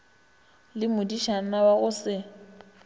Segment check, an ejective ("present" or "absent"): absent